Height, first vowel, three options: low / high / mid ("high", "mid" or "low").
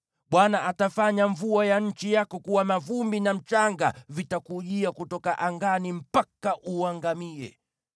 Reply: low